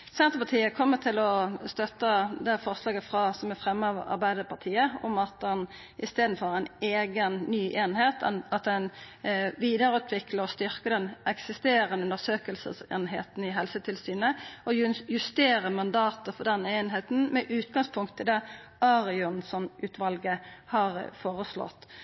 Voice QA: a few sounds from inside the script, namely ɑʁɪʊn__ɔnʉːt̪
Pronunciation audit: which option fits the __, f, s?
s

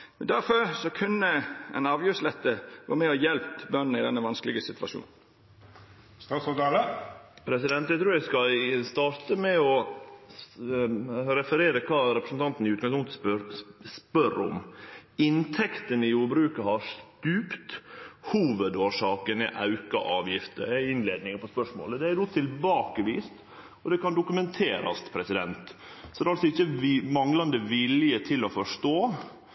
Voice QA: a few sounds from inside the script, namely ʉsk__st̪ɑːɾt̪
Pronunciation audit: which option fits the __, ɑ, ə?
ɑ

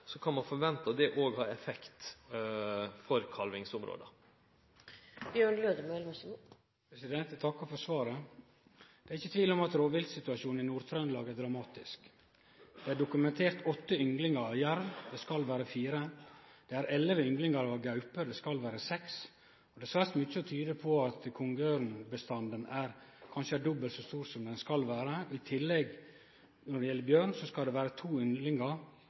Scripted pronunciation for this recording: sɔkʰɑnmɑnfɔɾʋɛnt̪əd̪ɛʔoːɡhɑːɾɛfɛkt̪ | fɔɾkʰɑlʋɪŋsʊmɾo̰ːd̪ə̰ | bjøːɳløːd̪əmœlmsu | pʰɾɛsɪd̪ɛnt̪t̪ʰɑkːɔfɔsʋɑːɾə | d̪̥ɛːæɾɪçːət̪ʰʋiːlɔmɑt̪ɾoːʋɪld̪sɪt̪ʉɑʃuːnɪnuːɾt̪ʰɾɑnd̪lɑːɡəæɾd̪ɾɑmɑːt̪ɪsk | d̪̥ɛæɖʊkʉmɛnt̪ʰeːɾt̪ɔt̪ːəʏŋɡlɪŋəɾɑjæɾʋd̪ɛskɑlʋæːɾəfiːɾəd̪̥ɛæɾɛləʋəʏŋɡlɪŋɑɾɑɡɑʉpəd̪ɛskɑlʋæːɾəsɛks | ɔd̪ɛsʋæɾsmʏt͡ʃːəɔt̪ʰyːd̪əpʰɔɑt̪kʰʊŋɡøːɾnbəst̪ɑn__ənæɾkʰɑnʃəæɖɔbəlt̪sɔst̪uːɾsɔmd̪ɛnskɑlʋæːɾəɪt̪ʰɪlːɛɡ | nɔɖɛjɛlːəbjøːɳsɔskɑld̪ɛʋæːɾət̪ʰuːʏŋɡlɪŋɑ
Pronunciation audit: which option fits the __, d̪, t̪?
d̪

